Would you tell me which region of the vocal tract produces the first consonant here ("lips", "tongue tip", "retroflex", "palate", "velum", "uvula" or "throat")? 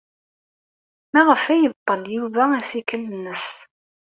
lips